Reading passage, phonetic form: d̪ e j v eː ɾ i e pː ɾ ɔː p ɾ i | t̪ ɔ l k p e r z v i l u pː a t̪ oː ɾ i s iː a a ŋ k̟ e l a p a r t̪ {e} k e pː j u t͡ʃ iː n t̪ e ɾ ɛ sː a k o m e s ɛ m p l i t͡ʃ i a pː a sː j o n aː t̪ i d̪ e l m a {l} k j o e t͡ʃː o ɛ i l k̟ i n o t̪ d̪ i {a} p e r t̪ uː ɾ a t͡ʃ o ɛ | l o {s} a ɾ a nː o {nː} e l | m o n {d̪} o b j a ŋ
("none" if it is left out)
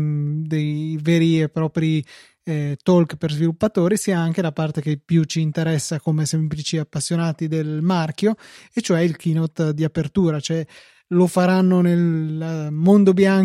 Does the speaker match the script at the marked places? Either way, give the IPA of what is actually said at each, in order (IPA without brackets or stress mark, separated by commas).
e, r, a, f, n, d̪